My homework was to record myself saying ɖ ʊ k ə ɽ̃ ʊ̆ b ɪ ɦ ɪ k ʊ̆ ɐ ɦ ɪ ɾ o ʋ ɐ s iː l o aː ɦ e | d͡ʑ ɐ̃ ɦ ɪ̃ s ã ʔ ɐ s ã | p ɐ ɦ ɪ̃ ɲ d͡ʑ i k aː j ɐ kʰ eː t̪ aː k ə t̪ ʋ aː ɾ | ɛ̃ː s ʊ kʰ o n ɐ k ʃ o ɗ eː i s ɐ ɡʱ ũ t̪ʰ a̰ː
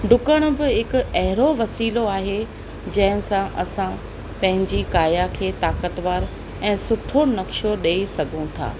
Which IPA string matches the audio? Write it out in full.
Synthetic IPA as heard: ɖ ʊ k ə ɽ̃ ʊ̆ b ɪ ɦ ɪ k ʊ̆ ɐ ɦ ɪ ɾ o ʋ ɐ s iː l o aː ɦ e | d͡ʑ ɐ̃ ɦ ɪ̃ s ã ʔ ɐ s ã | p ɐ̃ ɦ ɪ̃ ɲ d͡ʑ i k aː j a kʰ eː t̪ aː k ə t̪ ʋ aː ɾ | ɛ̃ː s ʊ ʈʰ o n ɐ k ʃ o ɗ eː i s ɐ ɡʱ ũ t̪ʰ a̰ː